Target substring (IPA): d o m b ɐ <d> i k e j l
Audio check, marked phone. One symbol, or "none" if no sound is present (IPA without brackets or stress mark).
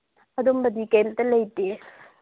d